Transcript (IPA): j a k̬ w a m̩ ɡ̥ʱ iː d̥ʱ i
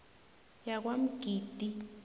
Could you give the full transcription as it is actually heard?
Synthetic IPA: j a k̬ w a m̩ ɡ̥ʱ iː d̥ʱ i